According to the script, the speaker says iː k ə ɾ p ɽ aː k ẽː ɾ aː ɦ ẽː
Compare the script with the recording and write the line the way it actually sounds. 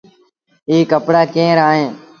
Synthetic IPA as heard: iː k ə p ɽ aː k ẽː ɾ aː ɦ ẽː